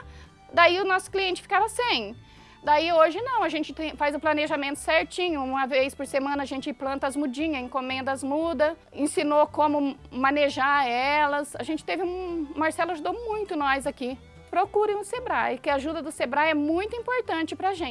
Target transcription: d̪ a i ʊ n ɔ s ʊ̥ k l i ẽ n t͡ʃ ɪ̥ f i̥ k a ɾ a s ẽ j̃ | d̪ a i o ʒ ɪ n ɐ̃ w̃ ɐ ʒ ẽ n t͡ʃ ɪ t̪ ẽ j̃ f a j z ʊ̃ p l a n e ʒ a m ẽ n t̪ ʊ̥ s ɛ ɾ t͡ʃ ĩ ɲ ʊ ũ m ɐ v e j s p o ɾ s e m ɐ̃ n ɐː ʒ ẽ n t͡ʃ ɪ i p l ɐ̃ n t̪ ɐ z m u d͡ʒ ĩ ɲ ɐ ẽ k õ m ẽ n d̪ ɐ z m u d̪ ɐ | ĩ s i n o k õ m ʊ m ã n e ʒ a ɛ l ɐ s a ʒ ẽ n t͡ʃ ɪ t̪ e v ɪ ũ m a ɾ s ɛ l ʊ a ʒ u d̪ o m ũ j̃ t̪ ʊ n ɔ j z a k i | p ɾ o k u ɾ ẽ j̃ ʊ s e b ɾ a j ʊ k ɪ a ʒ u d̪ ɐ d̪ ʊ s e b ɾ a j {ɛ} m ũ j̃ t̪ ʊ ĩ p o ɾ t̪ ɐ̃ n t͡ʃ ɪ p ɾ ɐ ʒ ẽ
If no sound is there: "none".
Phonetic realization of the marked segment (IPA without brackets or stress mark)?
ɛ